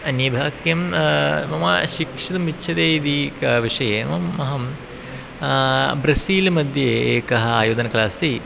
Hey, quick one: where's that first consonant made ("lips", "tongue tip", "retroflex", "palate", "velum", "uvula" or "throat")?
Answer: tongue tip